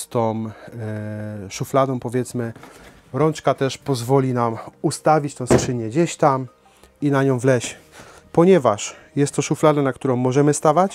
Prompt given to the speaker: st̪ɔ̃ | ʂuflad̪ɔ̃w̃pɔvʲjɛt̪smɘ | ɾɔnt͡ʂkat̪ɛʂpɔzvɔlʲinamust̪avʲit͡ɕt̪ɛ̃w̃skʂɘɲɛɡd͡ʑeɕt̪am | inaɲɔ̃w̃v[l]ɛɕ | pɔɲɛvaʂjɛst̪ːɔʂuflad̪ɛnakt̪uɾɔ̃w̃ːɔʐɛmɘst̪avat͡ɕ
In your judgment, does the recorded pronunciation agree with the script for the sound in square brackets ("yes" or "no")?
yes